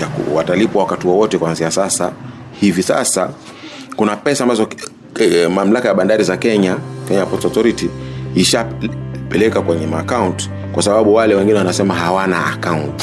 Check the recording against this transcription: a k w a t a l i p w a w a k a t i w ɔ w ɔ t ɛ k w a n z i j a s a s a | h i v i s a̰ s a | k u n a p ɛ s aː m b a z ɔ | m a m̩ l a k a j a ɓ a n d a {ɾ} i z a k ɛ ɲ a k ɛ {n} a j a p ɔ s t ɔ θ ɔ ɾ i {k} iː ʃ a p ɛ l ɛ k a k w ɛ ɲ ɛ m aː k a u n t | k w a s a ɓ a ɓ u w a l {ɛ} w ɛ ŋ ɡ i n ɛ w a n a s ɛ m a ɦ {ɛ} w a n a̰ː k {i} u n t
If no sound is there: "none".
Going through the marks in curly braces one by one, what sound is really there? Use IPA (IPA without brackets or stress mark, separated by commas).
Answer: ɾ, ɲ, t, ɛ, a, a